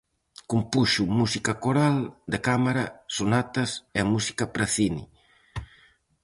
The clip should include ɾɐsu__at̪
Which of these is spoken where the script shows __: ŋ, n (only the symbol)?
n